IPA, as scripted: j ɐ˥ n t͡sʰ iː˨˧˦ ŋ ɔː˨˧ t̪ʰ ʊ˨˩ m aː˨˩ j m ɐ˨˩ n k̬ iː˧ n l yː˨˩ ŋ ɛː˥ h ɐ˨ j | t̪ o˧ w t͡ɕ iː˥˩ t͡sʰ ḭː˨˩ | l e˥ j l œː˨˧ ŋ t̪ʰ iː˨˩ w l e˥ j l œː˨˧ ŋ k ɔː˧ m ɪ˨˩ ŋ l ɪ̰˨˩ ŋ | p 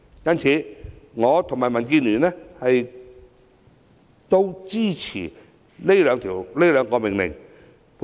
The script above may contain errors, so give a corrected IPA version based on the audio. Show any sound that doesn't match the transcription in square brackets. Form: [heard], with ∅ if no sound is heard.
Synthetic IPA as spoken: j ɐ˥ n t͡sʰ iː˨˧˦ ŋ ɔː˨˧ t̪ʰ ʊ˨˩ m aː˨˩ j m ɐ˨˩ n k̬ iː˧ n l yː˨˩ [n] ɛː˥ h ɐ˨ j | t̪ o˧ w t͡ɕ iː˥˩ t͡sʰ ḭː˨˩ | l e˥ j l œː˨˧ ŋ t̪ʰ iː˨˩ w l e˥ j l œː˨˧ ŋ k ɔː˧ m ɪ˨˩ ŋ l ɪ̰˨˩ ŋ | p